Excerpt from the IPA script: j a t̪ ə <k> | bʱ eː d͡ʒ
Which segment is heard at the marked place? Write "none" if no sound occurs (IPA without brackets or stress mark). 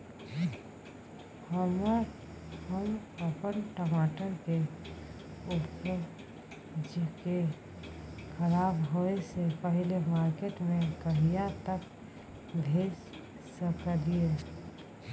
k